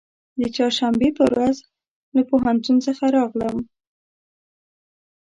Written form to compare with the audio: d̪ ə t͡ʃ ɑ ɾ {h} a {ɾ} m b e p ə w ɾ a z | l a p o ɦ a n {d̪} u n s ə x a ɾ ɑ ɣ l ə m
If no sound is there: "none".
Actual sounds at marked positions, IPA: ʃ, none, t̪

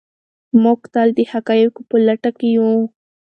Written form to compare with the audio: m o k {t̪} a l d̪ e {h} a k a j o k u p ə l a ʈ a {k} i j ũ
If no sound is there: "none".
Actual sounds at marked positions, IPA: t̪, h, k

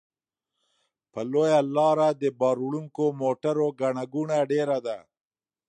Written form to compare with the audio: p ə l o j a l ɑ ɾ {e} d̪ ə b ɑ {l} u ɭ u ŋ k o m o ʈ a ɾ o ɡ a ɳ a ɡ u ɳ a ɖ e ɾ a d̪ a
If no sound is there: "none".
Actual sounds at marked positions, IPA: a, ɾ

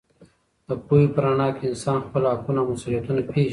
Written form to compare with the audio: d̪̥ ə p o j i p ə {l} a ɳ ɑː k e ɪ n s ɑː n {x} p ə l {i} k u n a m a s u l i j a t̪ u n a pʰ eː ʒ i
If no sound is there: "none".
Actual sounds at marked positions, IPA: ɾ, x, a

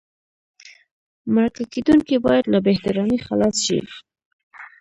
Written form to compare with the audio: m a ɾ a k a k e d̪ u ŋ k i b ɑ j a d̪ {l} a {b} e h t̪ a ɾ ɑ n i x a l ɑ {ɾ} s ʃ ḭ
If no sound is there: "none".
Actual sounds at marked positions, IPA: l, b, none

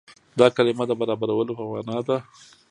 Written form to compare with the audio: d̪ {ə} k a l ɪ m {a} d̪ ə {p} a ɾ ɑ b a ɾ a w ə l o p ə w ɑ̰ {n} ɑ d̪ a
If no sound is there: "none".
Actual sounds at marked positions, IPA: ɑ, a, b, n

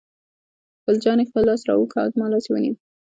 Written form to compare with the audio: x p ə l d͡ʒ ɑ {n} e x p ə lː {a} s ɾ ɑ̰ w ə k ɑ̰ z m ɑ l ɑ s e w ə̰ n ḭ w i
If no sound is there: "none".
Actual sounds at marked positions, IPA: n, ɑ

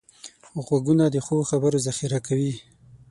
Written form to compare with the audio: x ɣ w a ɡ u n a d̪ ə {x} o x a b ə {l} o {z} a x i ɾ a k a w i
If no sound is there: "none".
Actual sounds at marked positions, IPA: x, ɾ, z

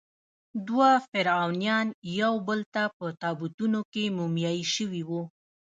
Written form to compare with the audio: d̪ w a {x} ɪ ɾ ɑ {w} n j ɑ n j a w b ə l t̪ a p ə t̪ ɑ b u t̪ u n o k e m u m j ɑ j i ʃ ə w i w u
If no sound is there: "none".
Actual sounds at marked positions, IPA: f, w

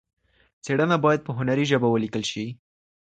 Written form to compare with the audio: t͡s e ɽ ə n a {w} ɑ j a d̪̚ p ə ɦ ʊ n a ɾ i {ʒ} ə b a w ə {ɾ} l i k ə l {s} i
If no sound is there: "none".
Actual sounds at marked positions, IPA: b, ʒ, none, ʃ

